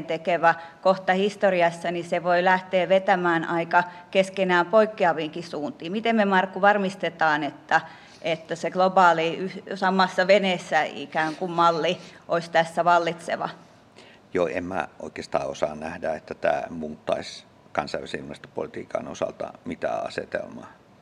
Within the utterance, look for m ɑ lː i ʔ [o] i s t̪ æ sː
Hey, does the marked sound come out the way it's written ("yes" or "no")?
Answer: yes